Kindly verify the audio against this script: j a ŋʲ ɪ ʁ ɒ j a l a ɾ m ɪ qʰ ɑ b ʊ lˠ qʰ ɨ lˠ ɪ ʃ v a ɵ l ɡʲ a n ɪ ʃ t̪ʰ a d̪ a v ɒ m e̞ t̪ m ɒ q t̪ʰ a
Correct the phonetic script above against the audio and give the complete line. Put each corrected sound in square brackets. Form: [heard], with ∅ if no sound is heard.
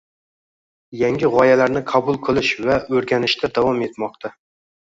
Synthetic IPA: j a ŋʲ ɪ ʁ ɒ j a l a ɾ [n] ɪ qʰ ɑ b ʊ lˠ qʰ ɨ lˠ ɪ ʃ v a ɵ [ɾ] ɡʲ a n ɪ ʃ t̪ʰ a d̪ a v ɒ m e̞ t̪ m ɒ q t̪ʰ a